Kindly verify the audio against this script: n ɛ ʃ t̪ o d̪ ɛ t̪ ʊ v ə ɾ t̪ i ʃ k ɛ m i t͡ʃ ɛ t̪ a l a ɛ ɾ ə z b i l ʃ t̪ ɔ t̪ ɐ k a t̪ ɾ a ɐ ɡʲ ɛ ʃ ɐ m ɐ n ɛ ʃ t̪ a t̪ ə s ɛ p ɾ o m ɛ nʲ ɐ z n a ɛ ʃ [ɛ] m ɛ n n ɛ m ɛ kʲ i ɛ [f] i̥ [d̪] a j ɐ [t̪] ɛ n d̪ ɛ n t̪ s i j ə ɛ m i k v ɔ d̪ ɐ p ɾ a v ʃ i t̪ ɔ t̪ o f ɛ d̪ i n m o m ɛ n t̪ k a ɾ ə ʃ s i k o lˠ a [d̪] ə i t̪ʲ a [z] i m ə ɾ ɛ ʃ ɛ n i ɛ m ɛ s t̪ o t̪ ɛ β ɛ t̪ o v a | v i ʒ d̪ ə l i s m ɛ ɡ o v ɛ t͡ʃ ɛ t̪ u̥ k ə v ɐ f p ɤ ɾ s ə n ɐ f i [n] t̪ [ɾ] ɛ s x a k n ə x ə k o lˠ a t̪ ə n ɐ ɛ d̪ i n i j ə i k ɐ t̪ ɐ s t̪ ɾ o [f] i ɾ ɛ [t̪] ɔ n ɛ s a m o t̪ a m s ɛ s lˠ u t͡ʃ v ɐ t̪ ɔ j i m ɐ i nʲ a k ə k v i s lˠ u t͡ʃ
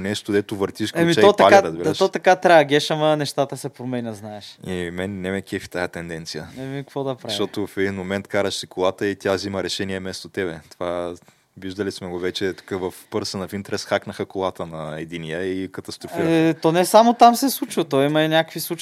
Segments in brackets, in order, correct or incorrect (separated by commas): incorrect, correct, incorrect, correct, incorrect, correct, correct, correct, correct, correct